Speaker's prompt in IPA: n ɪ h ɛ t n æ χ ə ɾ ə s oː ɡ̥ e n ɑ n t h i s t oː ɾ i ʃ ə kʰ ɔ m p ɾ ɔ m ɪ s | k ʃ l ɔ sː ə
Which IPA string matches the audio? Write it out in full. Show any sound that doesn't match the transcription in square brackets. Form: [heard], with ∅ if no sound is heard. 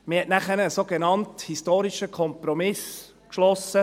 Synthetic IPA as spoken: [m] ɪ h ɛ t n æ χ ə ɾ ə s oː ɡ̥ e n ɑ n t h i s t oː ɾ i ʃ ə kʰ ɔ m p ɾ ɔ m ɪ s | k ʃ l ɔ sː ə